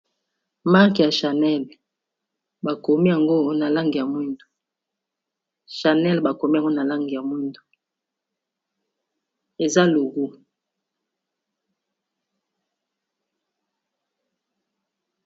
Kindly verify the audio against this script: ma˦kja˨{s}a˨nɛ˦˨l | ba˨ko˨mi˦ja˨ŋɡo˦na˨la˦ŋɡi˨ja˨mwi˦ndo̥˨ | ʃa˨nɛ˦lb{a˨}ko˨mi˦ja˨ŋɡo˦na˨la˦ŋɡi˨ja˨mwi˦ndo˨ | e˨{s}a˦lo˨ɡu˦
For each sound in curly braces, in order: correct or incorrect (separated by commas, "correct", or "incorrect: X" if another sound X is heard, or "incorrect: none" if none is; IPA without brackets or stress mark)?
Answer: incorrect: ʃ, correct, incorrect: z